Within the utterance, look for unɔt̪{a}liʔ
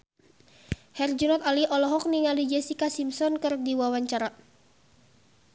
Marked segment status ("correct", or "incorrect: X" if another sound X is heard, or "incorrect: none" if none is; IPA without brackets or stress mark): correct